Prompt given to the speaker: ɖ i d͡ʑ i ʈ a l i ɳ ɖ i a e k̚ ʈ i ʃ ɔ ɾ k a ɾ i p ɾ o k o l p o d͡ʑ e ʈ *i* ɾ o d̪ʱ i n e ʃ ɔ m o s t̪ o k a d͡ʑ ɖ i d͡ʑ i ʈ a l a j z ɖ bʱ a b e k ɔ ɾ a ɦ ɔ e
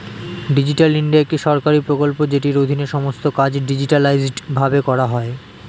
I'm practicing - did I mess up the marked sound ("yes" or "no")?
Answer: no